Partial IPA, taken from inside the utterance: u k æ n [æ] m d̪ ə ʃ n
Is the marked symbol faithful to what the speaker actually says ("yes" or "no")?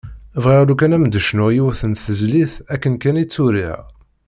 yes